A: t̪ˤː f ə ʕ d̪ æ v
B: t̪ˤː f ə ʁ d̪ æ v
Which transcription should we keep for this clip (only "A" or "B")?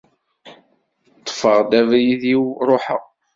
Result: B